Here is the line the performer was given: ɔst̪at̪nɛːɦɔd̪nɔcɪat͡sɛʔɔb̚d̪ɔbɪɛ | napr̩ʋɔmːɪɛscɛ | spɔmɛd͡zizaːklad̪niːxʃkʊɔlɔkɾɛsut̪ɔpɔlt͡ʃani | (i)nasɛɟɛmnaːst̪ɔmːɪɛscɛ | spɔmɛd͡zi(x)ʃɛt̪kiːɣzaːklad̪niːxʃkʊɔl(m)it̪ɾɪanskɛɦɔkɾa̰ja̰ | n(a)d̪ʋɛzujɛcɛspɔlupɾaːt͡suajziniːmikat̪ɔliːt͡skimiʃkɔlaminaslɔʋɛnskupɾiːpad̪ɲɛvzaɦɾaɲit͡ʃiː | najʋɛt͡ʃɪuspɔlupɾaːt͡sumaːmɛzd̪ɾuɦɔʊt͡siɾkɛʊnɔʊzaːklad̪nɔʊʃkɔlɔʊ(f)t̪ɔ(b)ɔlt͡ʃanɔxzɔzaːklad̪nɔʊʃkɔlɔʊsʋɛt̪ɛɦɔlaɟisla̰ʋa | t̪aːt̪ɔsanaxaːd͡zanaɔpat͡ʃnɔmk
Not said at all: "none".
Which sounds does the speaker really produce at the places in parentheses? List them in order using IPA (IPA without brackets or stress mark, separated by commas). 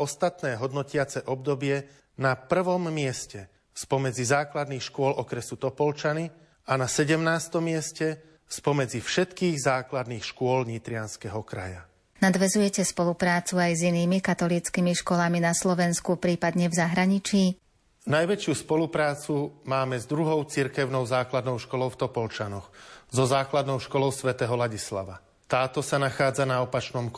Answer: a, f, ɲ, a, f, p